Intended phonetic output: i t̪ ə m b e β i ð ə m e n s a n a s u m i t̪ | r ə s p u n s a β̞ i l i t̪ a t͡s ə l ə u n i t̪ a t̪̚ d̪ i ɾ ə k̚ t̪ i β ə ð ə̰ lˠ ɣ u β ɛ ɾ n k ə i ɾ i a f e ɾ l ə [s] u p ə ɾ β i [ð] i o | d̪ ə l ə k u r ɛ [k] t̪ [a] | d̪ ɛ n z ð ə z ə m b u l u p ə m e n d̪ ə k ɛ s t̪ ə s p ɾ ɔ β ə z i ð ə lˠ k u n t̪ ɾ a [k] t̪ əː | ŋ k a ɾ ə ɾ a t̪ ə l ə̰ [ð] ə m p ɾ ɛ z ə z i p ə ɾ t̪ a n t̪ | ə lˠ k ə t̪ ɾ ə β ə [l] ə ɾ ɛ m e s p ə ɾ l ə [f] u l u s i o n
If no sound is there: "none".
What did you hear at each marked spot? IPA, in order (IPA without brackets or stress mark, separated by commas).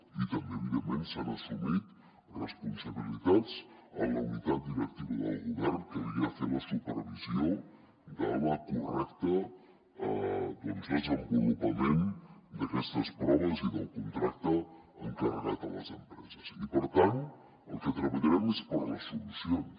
s, z, k, ə, k, z, ʎ, s